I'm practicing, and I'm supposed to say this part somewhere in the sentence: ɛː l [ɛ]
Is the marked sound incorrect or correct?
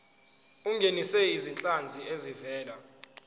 incorrect